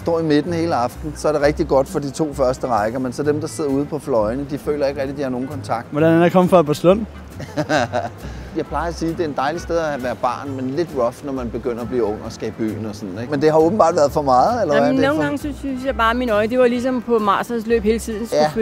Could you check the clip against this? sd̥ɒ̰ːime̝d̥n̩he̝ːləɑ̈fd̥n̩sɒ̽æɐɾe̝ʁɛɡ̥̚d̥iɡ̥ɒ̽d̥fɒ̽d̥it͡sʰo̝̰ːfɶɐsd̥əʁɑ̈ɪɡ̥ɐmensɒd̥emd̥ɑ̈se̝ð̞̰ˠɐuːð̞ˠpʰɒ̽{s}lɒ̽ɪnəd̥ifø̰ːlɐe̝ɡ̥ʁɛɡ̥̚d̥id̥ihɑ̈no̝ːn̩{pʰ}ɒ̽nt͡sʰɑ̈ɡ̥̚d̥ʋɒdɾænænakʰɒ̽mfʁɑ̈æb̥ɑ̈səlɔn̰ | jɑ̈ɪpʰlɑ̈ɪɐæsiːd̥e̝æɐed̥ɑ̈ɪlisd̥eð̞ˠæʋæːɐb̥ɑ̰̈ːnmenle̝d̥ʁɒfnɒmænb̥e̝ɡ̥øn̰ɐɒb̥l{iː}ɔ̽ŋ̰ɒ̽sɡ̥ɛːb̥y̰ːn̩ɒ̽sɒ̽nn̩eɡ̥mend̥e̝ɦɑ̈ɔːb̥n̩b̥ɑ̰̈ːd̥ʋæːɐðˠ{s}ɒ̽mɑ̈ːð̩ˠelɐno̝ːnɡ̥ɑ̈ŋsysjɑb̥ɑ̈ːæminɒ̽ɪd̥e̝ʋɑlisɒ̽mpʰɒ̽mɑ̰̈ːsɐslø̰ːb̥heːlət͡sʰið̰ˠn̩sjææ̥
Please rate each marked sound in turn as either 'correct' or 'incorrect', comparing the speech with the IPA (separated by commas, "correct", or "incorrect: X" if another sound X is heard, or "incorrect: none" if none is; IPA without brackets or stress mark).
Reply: incorrect: f, incorrect: kʰ, correct, incorrect: f